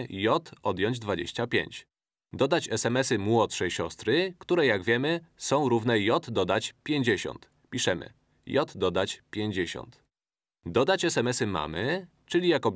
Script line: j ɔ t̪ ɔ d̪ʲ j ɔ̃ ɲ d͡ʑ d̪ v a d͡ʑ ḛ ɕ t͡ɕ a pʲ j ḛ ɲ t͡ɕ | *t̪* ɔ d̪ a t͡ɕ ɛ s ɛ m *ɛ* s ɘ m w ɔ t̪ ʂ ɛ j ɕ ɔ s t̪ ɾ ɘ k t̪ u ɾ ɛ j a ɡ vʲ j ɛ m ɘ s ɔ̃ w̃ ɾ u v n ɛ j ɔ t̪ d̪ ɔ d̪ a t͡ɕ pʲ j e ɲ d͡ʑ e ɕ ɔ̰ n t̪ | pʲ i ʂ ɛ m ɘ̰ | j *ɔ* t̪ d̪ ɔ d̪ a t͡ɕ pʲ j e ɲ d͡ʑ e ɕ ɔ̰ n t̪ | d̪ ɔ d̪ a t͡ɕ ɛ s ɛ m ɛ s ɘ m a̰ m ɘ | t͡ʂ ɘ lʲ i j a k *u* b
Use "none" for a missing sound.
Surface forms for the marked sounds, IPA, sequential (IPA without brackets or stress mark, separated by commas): d̪, ɛ, ɔ, ɔ